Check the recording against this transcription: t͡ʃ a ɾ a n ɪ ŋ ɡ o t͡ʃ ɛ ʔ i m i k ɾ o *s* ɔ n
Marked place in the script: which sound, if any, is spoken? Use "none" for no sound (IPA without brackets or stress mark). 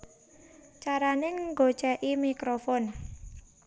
f